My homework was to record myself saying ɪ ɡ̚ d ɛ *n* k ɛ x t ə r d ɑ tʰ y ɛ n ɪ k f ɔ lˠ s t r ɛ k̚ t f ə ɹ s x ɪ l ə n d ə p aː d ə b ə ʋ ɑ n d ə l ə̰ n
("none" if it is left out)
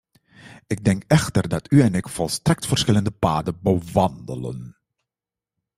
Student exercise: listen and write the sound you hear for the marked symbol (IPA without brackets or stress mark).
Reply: ŋ